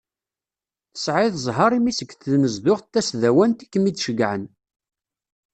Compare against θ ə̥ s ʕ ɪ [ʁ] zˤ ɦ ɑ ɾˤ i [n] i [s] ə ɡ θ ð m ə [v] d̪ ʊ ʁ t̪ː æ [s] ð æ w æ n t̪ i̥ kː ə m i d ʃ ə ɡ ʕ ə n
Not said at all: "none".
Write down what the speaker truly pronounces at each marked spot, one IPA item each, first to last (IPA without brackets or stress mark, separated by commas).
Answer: ð, m, s, z, s